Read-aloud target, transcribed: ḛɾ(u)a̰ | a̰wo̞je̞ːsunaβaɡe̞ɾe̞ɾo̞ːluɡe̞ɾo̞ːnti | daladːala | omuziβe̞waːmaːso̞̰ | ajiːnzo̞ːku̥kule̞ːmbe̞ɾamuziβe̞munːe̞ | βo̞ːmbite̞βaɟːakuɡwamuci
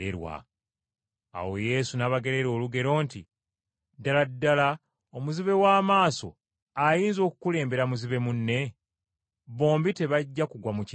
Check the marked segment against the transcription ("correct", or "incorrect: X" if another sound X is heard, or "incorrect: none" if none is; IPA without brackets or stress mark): incorrect: w